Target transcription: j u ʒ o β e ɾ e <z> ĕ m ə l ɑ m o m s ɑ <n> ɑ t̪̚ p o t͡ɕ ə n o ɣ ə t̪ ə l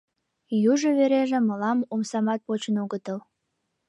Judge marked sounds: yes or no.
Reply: no, no

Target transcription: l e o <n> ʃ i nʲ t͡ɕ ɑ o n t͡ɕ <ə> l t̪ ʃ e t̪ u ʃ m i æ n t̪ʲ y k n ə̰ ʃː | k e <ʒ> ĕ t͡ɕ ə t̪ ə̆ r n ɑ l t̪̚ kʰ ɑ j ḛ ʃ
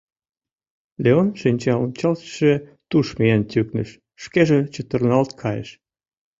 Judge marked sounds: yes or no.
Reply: yes, no, yes

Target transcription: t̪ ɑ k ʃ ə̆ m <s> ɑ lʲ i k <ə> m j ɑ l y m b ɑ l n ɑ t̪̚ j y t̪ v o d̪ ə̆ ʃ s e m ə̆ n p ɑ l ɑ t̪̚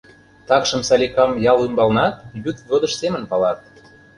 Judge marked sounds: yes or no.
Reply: yes, no

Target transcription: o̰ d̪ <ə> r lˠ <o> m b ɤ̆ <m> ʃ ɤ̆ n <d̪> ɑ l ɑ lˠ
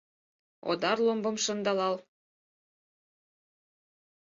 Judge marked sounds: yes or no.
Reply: no, yes, yes, yes

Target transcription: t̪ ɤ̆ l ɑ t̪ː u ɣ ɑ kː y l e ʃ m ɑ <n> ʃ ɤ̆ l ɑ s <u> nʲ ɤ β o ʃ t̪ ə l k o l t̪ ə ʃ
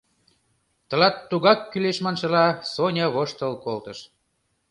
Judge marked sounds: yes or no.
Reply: yes, no

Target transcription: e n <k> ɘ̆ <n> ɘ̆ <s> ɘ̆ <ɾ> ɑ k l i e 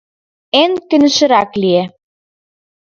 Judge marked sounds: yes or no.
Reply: yes, yes, no, yes

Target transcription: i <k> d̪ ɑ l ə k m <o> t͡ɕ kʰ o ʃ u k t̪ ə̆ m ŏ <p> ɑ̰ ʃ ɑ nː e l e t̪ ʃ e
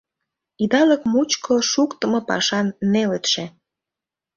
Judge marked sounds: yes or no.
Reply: no, no, yes

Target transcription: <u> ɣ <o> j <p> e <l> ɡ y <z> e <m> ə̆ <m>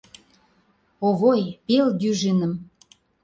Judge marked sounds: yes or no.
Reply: no, yes, yes, yes, no, no, yes

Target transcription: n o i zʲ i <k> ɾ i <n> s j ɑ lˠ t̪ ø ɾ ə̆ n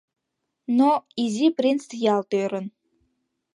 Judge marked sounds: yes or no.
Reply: no, yes

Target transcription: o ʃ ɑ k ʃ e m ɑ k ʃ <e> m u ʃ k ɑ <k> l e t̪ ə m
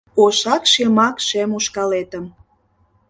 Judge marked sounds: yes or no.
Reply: yes, no

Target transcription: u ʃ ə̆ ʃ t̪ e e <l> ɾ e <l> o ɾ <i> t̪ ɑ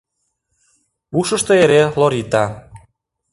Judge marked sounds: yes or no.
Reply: no, yes, yes

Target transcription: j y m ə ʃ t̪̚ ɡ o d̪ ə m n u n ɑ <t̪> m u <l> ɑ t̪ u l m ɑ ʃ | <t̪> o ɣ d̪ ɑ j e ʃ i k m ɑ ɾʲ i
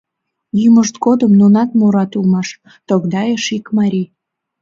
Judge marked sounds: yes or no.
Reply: yes, no, yes

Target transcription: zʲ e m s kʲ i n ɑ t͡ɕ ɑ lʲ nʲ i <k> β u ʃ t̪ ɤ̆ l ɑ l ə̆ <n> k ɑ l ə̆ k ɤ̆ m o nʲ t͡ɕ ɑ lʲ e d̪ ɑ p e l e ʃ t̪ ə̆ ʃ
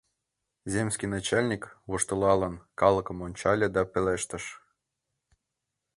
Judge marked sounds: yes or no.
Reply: yes, yes

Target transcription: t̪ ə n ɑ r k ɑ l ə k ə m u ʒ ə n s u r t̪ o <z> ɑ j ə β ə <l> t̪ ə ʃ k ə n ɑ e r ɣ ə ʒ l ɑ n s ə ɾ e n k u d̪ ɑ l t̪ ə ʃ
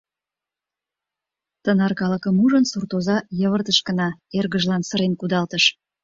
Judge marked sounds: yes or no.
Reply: yes, no

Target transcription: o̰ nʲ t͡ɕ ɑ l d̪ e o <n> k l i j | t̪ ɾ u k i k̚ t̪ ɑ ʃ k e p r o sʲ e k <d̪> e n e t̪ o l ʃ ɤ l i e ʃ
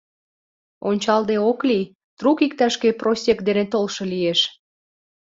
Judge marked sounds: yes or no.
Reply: no, yes

